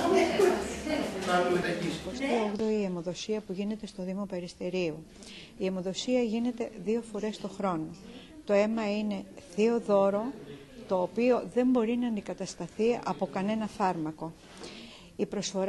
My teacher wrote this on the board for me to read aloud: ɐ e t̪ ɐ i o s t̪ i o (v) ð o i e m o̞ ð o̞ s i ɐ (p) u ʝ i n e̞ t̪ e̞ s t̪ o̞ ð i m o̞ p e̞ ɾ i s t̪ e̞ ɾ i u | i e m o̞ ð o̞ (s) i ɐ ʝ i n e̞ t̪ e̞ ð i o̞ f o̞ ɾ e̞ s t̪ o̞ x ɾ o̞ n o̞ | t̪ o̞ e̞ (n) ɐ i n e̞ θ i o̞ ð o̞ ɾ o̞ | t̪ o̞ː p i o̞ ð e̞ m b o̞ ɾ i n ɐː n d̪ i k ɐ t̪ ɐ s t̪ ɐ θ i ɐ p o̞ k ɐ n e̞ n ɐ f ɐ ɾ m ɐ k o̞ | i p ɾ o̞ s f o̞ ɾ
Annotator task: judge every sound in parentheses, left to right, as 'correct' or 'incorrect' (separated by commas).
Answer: incorrect, correct, correct, incorrect